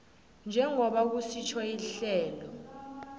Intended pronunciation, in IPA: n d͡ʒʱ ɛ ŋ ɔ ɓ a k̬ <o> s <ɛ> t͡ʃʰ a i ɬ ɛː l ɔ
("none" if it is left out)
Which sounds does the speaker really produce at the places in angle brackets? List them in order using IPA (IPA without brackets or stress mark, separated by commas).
u, i